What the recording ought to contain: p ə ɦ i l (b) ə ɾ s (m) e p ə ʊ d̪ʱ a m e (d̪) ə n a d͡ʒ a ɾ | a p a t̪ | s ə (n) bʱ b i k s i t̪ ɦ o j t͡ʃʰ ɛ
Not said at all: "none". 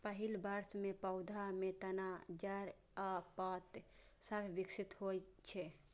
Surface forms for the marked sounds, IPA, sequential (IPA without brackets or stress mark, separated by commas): b, m, t̪, none